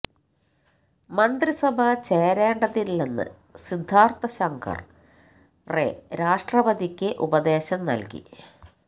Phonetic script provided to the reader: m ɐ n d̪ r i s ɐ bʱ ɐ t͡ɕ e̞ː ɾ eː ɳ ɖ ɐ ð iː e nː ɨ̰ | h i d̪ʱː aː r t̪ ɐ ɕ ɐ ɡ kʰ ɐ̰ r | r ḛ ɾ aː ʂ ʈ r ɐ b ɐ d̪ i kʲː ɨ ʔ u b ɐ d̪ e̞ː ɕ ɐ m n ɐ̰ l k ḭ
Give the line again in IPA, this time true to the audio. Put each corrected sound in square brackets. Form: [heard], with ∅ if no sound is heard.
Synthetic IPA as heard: m ɐ n d̪ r i s ɐ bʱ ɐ t͡ɕ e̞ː ɾ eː ɳ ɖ ɐ ð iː e nː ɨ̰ | [s] i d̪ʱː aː r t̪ ɐ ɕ ɐ [ŋ] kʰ ɐ̰ r | r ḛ ɾ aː ʂ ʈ r ɐ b ɐ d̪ i kʲː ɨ ʔ u b ɐ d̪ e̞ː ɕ ɐ m n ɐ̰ l k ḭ

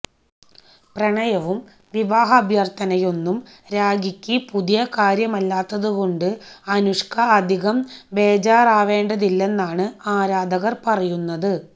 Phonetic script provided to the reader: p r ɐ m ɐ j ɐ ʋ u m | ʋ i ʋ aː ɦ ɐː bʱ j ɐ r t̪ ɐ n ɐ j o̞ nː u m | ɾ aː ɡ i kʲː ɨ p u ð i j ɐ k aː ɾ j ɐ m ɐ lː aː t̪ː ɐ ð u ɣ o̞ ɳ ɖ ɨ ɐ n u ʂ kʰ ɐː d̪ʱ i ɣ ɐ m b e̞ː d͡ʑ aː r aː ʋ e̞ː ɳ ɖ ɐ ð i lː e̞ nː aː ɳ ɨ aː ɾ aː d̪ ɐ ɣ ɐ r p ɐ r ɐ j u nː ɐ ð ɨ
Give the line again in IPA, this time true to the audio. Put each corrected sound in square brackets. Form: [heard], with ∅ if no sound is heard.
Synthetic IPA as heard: p r ɐ [ɳ] ɐ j ɐ ʋ u m | ʋ i ʋ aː ɦ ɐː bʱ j ɐ r t̪ ɐ n ɐ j o̞ nː u m | ɾ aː ɡ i kʲː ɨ p u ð i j ɐ k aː ɾ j ɐ m ɐ lː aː t̪ː ɐ ð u ɣ o̞ ɳ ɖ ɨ ɐ n u ʂ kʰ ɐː d̪ʱ i ɣ ɐ m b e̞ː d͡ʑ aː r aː ʋ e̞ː ɳ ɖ ɐ ð i lː e̞ nː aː ɳ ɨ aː ɾ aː d̪ ɐ ɣ ɐ r p ɐ r ɐ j u nː ɐ ð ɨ

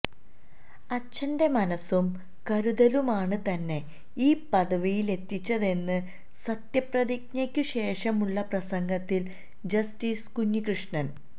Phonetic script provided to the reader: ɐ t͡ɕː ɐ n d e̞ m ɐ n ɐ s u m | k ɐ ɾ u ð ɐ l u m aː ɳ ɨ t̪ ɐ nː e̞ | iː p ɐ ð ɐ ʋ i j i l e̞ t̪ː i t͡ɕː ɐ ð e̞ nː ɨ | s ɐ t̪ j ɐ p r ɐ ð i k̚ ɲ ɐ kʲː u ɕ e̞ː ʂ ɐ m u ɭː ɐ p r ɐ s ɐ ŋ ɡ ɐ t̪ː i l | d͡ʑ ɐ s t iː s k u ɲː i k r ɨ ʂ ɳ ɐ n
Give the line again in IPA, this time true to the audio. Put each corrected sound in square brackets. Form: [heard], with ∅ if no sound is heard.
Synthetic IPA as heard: ɐ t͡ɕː ɐ n d e̞ m ɐ n ɐ s u m | k ɐ ɾ u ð ɐ l u m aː ɳ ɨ t̪ ɐ nː e̞ | iː p ɐ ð ɐ ʋ i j i l e̞ t̪ː i t͡ɕː ɐ ð e̞ nː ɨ | s ɐ t̪ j ɐ p r ɐ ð i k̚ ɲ ɐ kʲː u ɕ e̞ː ʂ ɐ m u ɭː ɐ p r ɐ s ɐ ŋ ɡ ɐ t̪ː i l | d͡ʑ ɐ s t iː s k u ɲː i k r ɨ ʂ ɳ ɐ n

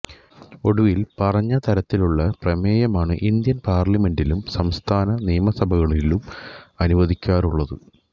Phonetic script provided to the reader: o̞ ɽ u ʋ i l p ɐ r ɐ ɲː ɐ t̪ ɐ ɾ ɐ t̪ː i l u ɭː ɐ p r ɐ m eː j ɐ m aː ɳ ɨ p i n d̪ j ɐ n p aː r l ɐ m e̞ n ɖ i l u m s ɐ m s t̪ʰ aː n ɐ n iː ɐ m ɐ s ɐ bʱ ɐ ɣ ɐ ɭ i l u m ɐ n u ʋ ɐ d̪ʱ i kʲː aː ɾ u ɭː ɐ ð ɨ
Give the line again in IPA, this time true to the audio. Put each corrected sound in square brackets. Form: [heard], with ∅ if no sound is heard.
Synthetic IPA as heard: o̞ ɽ u ʋ i l p ɐ r ɐ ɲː ɐ t̪ ɐ ɾ ɐ t̪ː i l u ɭː ɐ p r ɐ m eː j ɐ m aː ɳ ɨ [ʔ] i n d̪ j ɐ n p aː r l ɐ m e̞ n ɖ i l u m s ɐ m s t̪ʰ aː n ɐ n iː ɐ m ɐ s ɐ bʱ ɐ ɣ ɐ ɭ i l u m ɐ n u ʋ ɐ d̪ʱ i kʲː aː ɾ u ɭː ɐ ð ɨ

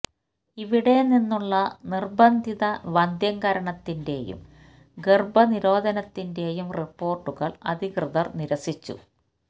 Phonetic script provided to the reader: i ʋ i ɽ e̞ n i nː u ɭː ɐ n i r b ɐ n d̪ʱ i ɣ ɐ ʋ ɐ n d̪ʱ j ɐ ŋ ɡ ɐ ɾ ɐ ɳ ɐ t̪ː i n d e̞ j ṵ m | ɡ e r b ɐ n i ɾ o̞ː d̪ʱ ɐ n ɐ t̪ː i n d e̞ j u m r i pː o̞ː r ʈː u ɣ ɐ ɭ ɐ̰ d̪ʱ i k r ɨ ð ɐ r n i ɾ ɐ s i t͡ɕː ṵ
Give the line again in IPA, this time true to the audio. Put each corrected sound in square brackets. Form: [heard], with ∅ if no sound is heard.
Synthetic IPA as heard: i ʋ i ɽ e̞ n i nː u ɭː ɐ n i r b ɐ n d̪ʱ i [ð] ɐ ʋ ɐ n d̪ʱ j ɐ ŋ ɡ ɐ ɾ ɐ ɳ ɐ t̪ː i n d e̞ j ṵ m | ɡ e r b ɐ n i ɾ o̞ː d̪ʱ ɐ n ɐ t̪ː i n d e̞ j u m r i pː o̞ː r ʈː u ɣ ɐ ɭ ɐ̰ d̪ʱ i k r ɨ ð ɐ r n i ɾ ɐ s i t͡ɕː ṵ

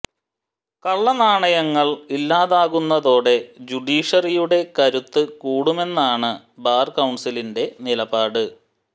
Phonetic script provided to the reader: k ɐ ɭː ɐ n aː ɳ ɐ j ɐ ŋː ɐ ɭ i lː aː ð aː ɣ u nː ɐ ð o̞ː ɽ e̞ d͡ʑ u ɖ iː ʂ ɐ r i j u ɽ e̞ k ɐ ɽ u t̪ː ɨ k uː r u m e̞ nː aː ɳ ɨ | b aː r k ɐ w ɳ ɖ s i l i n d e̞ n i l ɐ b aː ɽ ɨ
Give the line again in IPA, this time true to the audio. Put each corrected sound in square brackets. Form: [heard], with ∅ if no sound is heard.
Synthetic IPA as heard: k ɐ ɭː ɐ n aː ɳ ɐ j ɐ ŋː ɐ ɭ i lː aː ð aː ɣ u nː ɐ ð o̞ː ɽ e̞ d͡ʑ u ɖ iː ʂ ɐ r i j u ɽ e̞ k ɐ [ɾ] u t̪ː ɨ k uː [ɽ] u m e̞ nː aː ɳ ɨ | b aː r k ɐ w ɳ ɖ s i l i n d e̞ n i l ɐ b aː ɽ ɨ

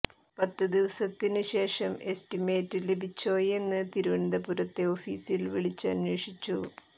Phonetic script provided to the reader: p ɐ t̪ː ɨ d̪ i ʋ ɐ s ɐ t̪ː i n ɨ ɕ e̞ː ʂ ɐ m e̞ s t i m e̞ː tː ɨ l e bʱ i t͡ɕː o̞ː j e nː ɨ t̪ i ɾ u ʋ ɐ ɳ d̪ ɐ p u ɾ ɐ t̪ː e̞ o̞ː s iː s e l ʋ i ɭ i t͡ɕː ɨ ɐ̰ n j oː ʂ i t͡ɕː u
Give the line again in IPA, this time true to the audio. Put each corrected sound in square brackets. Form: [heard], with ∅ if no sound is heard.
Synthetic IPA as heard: p ɐ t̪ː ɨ d̪ i ʋ ɐ s ɐ t̪ː i n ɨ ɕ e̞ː ʂ ɐ m e̞ s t i m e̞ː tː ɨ l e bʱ i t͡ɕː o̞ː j e nː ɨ t̪ i ɾ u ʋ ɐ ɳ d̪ ɐ p u ɾ ɐ t̪ː e̞ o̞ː [f] iː s [i] l ʋ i ɭ i t͡ɕː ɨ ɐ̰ n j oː ʂ i t͡ɕː u

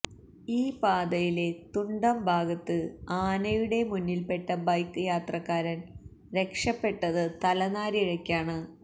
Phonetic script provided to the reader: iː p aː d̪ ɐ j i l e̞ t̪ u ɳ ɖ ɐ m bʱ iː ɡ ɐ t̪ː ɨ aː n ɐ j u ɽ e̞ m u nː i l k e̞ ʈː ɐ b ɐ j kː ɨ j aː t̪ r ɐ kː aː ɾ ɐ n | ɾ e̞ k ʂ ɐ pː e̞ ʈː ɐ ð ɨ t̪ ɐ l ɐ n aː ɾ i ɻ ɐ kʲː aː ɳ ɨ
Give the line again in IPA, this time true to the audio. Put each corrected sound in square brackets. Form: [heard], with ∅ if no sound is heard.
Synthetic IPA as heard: iː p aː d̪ ɐ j i l e̞ t̪ u ɳ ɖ ɐ m bʱ [aː] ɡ ɐ t̪ː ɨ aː n ɐ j u ɽ e̞ m u nː i l [p] e̞ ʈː ɐ b ɐ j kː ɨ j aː t̪ r ɐ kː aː ɾ ɐ n | ɾ e̞ k ʂ ɐ pː e̞ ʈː ɐ ð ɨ t̪ ɐ l ɐ n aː ɾ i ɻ ɐ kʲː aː ɳ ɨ

